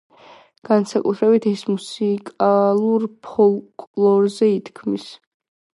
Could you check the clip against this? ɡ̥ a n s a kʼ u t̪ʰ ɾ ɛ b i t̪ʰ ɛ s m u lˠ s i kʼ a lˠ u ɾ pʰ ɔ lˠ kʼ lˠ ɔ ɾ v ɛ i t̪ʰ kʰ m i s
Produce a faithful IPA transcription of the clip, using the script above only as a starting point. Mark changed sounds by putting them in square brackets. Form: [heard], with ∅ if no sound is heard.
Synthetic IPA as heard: ɡ̥ a n s a kʼ u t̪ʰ ɾ ɛ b i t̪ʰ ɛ s m u [∅] s i kʼ a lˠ u ɾ pʰ ɔ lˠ kʼ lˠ ɔ ɾ [z] ɛ i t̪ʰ kʰ m i s